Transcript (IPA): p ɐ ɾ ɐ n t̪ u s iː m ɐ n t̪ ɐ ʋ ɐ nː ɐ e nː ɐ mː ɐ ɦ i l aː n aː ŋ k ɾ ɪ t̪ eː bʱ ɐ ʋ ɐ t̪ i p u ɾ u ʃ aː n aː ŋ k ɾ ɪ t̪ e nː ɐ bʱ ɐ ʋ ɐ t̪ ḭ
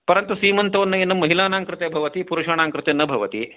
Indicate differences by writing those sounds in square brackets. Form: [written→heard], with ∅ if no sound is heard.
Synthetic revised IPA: p ɐ ɾ ɐ n t̪ u s iː m ɐ n t̪ ɐ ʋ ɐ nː ɐ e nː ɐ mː ɐ ɦ i l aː n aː ŋ k ɾ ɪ t̪ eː bʱ ɐ ʋ ɐ t̪ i p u ɾ u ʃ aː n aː ŋ k ɾ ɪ t̪ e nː ɐ bʱ ɐ ʋ ɐ t̪ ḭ

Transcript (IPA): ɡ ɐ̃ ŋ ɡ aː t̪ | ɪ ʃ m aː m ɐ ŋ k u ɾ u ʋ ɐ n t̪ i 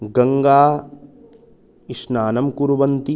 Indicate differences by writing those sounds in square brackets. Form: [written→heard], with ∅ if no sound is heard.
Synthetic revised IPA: ɡ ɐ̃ ŋ ɡ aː [t̪→∅] | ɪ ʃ [m→n] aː [m→n] ɐ [ŋ→m] k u ɾ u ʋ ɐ n t̪ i

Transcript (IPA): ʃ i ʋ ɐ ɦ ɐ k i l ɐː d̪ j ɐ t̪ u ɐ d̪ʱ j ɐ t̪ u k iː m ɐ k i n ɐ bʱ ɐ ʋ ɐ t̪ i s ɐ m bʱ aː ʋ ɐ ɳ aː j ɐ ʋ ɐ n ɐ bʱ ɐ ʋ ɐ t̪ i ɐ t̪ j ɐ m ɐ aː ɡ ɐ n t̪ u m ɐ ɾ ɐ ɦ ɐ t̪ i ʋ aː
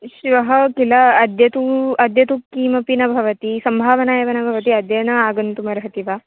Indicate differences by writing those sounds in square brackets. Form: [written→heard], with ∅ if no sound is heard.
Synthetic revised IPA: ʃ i ʋ ɐ ɦ ɐ k i l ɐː d̪ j ɐ t̪ u ɐ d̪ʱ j ɐ t̪ u k iː m ɐ [k→p] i n ɐ bʱ ɐ ʋ ɐ t̪ i s ɐ m bʱ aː ʋ ɐ [ɳ→n] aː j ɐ ʋ ɐ n ɐ bʱ ɐ ʋ ɐ t̪ i ɐ [t̪→d̪] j ɐ [m→n] ɐ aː ɡ ɐ n t̪ u m ɐ ɾ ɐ ɦ ɐ t̪ i ʋ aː

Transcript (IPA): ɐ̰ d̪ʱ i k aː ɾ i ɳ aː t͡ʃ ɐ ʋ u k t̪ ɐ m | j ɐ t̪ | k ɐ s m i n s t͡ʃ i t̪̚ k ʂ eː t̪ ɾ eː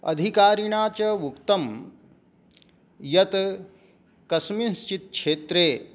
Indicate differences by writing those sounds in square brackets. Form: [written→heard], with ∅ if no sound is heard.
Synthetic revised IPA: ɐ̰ d̪ʱ i k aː ɾ i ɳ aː t͡ʃ ɐ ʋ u k t̪ ɐ m | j ɐ t̪ | k ɐ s m i n s t͡ʃ i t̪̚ k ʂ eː t̪ ɾ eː

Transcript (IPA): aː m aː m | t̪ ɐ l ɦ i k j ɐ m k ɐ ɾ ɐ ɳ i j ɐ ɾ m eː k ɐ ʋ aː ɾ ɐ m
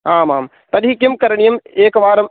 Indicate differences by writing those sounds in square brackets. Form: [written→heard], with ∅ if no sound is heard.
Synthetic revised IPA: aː m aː m | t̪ ɐ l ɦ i k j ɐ m k ɐ ɾ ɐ ɳ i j ɐ [ɾ→∅] m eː k ɐ ʋ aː ɾ ɐ m

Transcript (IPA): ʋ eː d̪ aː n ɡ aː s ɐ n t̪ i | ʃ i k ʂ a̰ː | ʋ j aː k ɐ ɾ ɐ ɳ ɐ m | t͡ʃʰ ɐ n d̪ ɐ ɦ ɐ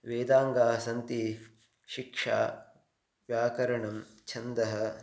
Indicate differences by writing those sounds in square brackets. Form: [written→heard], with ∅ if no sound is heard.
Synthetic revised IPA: ʋ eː d̪ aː [n→ŋ] ɡ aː s ɐ n t̪ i | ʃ i k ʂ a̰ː | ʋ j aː k ɐ ɾ ɐ ɳ ɐ m | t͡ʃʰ ɐ n d̪ ɐ ɦ ɐ

